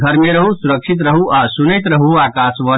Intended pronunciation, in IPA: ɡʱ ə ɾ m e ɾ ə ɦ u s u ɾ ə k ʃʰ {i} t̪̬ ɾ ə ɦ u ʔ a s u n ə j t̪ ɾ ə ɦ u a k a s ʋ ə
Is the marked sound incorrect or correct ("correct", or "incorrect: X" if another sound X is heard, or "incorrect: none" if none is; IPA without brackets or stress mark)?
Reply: correct